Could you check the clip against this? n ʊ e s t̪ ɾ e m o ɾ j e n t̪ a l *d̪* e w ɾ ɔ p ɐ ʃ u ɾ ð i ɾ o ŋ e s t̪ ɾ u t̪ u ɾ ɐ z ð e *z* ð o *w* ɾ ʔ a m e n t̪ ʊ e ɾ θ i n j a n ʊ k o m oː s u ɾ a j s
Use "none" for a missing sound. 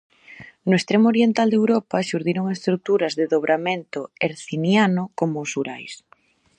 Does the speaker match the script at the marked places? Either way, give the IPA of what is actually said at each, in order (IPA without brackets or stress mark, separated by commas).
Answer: d̪, none, β